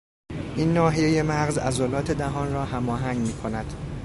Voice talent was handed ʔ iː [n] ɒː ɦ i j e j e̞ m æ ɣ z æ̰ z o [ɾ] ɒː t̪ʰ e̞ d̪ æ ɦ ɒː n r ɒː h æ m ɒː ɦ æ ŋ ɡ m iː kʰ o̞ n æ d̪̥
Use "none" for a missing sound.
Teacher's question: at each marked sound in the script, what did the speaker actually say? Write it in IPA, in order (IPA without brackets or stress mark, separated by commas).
nː, l